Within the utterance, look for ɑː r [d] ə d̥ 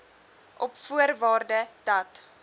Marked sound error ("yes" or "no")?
no